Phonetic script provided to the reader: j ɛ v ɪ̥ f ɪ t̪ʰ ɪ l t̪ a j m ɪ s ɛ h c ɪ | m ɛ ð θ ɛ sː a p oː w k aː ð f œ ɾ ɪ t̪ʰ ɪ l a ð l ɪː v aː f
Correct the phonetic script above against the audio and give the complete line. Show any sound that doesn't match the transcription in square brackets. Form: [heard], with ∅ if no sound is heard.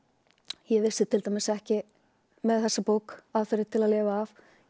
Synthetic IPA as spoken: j ɛ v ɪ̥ [s] ɪ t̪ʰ ɪ l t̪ a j m ɪ s ɛ h c ɪ | m ɛ ð θ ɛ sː a p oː w k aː ð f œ ɾ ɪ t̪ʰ ɪ l a ð l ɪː v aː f